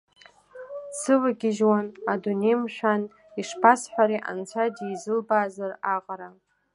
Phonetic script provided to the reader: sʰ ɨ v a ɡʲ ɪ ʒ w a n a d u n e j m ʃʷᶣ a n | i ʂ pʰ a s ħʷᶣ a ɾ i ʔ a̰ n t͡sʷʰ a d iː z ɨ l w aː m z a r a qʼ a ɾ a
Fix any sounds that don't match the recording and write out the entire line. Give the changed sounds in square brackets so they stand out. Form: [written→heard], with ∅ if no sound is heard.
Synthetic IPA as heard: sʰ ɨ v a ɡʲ ɪ ʒ w a n a d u n e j m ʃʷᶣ a n | i ʂ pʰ a s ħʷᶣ a ɾ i ʔ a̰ n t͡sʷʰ a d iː z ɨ l [w→b] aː [m→∅] z a r a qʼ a ɾ a